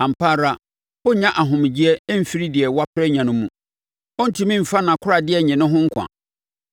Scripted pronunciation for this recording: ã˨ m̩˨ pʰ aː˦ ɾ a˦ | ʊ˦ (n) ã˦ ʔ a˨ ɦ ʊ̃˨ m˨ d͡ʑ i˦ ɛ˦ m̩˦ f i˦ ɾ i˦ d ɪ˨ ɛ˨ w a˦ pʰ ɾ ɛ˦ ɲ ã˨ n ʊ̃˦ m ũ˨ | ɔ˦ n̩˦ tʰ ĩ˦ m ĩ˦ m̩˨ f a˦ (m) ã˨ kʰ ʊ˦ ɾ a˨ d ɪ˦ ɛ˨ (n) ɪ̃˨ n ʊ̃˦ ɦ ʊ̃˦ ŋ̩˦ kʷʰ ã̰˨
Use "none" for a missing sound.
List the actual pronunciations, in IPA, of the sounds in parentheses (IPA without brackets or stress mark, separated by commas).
ɲ, n, ɲ